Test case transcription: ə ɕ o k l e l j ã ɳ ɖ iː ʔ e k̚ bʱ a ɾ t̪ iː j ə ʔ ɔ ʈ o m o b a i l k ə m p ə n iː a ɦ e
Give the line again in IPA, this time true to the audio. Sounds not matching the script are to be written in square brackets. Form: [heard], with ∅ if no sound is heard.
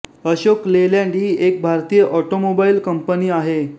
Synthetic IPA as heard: ə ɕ o k l e l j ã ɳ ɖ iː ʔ e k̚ bʱ a ɾ t̪ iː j ə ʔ ɔ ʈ o m o b a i l k ə m p ə n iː a ɦ e